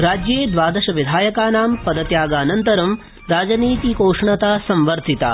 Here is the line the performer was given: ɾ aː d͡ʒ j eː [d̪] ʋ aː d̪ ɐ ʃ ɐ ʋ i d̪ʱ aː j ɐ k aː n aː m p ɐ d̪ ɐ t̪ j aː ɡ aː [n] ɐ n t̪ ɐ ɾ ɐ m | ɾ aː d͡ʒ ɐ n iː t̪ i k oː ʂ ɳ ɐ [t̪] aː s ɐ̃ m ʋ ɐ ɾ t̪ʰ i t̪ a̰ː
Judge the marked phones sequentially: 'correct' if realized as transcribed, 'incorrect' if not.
correct, correct, correct

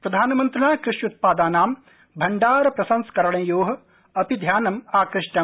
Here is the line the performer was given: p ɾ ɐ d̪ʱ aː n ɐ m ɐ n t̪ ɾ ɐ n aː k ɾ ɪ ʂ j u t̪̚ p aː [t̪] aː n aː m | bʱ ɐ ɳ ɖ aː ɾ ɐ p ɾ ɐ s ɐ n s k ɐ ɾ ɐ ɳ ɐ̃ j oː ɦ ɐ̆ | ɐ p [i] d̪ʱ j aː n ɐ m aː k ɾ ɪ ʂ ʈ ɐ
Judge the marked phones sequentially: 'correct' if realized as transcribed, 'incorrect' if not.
incorrect, correct

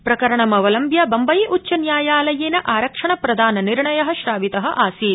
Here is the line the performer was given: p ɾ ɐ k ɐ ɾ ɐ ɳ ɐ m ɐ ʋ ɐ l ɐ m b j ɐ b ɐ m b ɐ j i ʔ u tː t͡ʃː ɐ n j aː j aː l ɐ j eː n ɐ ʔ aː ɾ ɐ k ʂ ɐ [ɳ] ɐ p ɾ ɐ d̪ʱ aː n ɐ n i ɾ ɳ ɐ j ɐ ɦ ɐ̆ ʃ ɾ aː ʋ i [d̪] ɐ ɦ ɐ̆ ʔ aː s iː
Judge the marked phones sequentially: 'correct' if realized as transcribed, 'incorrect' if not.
correct, incorrect

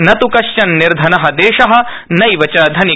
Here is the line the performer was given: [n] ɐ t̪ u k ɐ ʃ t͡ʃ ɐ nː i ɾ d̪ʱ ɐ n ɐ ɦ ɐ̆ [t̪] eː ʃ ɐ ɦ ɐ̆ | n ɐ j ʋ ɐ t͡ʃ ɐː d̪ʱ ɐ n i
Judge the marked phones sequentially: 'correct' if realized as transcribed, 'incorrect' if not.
correct, incorrect

